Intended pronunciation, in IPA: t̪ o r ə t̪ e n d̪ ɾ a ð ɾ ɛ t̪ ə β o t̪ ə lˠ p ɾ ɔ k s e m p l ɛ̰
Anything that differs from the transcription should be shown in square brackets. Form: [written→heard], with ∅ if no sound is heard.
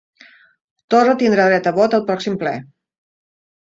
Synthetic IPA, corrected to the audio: t̪ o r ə t̪ [e→i] n d̪ ɾ a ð ɾ ɛ t̪ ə β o t̪ ə lˠ p ɾ ɔ k s [e→i] m p l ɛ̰